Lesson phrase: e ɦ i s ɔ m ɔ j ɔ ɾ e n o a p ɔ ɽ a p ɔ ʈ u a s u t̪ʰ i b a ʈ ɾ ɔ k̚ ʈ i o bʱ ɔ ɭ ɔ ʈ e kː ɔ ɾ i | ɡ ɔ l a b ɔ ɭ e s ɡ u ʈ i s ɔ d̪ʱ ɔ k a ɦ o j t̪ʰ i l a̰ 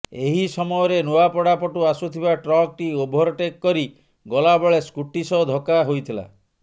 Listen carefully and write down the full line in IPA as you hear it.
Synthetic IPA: e ɦ i s ɔ m ɔ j ɔ ɾ e n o a p ɔ ɽ a p ɔ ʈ u a s u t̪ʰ i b a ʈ ɾ ɔ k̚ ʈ i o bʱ ɔ ɾ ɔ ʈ e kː ɔ ɾ i | ɡ ɔ l a b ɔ ɭ e s k u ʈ i s ɔ d̪ʱ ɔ k a ɦ o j t̪ʰ i l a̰